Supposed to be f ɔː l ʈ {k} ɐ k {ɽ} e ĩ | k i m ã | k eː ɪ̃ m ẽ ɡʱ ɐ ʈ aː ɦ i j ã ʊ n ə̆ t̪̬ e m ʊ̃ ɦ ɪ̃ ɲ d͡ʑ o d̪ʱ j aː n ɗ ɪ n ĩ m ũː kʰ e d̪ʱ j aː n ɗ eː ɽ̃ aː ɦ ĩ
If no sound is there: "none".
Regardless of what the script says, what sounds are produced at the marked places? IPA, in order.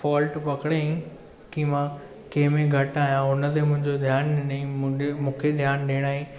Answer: p, ɽ

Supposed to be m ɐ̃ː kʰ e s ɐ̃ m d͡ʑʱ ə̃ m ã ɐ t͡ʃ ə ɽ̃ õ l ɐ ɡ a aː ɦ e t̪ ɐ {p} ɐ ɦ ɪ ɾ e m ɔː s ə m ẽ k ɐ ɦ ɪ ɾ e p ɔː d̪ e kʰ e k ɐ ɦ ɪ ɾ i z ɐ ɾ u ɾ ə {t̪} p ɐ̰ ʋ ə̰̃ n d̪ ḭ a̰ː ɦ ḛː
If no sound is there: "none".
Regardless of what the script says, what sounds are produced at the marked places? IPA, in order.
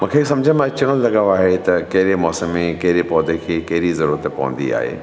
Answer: k, t̪

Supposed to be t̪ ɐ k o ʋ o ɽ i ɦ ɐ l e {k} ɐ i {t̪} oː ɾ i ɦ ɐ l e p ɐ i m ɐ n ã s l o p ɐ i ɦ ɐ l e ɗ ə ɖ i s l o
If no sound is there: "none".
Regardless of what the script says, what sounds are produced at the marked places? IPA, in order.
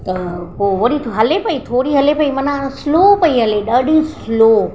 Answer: p, t̪ʰ

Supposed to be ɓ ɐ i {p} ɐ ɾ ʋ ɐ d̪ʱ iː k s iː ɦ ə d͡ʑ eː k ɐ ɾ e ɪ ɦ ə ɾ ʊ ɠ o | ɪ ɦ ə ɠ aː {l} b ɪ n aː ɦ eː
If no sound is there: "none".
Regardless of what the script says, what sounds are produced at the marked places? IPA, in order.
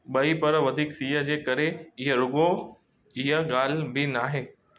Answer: p, l

